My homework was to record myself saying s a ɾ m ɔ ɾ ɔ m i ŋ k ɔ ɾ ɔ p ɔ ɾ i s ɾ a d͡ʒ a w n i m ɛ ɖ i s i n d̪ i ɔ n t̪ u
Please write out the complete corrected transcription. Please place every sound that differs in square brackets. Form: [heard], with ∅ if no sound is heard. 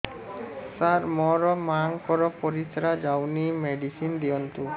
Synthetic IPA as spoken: s a ɾ m ɔ ɾ ɔ m [a] ŋ k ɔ ɾ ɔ p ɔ ɾ i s ɾ a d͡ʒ a w n i m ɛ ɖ i s i n d̪ i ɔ n t̪ u